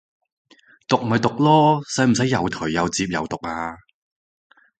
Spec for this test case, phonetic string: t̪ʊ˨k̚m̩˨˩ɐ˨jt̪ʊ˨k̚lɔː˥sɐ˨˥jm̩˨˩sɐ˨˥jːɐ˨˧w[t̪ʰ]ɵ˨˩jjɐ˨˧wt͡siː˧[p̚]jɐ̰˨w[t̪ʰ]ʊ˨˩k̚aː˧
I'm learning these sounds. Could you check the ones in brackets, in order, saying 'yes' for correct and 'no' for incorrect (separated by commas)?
yes, yes, no